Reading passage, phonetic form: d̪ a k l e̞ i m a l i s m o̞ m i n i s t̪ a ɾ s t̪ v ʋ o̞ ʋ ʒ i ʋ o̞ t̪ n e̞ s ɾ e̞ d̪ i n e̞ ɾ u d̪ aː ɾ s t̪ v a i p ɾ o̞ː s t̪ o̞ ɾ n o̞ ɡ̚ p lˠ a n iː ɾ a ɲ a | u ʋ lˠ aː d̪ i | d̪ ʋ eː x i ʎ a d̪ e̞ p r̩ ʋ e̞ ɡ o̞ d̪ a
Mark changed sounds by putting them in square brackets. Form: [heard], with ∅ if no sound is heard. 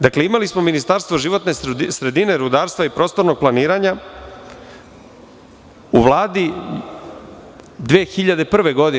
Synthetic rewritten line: d̪ a k l e̞ i m a l i s m o̞ m i n i s t̪ a ɾ s t̪ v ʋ o̞ [∅] ʒ i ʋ o̞ t̪ n e̞ s ɾ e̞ d̪ i n e̞ ɾ u d̪ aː ɾ s t̪ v a i p ɾ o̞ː s t̪ o̞ ɾ n o̞ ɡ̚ p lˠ a n iː ɾ a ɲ a | u ʋ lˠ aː d̪ i | d̪ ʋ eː x i ʎ a d̪ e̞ p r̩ ʋ e̞ ɡ o̞ d̪ [i]